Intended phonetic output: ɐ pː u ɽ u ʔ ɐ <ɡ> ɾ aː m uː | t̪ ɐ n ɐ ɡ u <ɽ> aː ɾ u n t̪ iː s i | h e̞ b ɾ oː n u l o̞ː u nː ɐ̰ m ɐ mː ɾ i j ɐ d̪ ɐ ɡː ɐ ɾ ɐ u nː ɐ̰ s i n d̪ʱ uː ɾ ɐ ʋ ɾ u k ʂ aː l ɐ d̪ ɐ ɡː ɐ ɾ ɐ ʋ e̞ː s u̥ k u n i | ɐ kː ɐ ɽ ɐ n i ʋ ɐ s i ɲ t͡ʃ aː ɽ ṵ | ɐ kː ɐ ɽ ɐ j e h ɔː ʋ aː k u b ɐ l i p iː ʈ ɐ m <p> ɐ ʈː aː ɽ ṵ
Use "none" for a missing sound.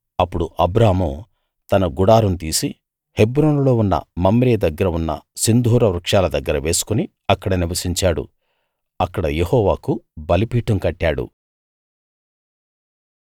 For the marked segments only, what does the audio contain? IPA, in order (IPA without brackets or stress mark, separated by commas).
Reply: b, ɽ, k